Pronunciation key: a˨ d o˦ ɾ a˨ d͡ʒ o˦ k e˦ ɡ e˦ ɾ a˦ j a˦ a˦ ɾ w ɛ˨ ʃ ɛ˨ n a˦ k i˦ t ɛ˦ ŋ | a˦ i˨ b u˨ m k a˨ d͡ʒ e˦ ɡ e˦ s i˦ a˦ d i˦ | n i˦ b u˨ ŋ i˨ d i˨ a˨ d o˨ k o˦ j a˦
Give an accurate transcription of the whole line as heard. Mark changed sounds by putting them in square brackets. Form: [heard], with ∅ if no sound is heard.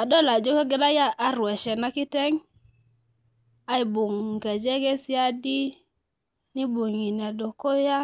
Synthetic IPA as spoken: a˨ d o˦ [l] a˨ d͡ʒ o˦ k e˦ ɡ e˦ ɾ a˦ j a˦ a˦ ɾ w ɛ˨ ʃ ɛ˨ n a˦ k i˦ t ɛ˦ ŋ | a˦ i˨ b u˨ [ŋ] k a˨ d͡ʒ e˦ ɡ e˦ s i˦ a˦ d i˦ | n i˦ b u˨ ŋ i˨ [n] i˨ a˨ d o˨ k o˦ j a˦